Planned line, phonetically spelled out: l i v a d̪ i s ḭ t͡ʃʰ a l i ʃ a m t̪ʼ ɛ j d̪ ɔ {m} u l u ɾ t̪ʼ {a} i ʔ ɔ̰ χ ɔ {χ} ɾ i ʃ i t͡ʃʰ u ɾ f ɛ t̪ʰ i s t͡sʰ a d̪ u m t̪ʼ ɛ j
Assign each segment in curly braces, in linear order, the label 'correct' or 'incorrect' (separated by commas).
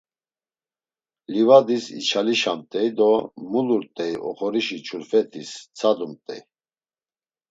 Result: correct, incorrect, incorrect